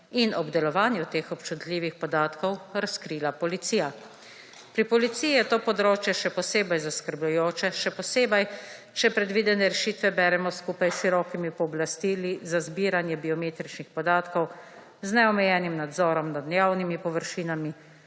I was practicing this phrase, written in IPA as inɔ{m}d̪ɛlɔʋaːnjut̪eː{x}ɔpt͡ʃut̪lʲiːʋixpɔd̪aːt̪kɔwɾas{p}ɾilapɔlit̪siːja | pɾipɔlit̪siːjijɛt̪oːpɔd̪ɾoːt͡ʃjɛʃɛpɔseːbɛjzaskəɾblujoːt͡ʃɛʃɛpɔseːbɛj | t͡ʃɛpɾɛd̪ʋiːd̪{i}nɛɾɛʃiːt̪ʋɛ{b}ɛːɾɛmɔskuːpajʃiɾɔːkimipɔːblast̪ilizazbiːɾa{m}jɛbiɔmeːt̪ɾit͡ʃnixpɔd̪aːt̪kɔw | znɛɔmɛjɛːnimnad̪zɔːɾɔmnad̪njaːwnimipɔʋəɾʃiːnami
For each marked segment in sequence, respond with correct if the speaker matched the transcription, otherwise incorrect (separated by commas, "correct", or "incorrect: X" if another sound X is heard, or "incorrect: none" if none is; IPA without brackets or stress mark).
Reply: incorrect: b, correct, incorrect: k, incorrect: ɛ, correct, incorrect: n